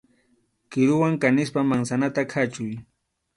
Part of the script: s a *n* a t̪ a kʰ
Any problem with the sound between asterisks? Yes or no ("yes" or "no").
no